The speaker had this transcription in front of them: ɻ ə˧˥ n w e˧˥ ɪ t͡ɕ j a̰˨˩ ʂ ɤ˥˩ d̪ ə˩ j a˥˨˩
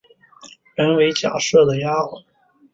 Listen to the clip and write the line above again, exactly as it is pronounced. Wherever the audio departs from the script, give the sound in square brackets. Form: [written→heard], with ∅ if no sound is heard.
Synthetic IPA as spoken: ɻ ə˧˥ n w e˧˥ ɪ t͡ɕ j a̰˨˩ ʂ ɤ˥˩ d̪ ə˩ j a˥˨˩